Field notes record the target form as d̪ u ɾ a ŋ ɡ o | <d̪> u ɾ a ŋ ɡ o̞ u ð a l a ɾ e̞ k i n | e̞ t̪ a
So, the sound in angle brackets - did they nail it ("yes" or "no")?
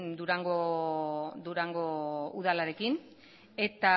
yes